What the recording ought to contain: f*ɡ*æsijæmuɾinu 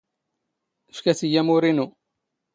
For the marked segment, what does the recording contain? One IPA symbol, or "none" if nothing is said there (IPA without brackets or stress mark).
k